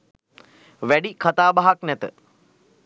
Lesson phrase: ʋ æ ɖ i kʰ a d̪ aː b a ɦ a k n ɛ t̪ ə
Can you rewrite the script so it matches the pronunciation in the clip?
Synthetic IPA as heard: ʋ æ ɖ i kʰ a t̪ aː b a ɦ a k n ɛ t̪ ə